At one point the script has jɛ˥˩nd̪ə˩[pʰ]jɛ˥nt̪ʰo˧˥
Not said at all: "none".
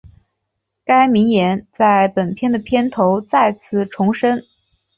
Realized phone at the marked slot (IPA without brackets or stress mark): pʰ